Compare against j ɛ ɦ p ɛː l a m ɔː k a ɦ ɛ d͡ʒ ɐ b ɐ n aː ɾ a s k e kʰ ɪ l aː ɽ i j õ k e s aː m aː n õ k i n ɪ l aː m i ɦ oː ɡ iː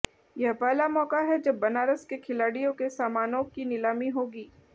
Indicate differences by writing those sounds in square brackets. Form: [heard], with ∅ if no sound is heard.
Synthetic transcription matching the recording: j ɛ ɦ p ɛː l a m ɔː k a ɦ ɛ d͡ʒ ɐ [bː] ɐ n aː ɾ [ə] s k e kʰ ɪ l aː ɽ i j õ k e s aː m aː n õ k i n ɪ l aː m i ɦ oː ɡ iː